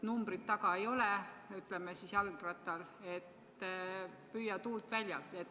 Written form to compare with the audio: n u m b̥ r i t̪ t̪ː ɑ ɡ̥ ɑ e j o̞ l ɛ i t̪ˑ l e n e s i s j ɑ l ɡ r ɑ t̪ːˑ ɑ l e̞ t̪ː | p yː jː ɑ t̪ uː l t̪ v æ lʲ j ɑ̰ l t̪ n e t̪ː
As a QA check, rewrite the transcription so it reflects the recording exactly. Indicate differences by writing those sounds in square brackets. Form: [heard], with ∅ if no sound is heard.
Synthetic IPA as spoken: n u m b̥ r i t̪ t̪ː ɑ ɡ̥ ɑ e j o̞ l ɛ [y] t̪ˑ l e [m] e s i s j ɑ l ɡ r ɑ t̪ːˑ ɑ l e̞ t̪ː | p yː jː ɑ t̪ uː l t̪ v æ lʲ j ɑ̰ l t̪ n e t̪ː